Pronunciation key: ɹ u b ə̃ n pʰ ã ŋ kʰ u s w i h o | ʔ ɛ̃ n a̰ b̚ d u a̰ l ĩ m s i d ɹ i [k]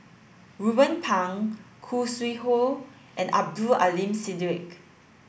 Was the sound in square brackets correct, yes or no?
yes